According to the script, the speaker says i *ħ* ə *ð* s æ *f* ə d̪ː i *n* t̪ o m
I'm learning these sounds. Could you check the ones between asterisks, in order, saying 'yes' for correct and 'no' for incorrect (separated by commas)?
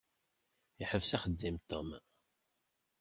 yes, no, no, no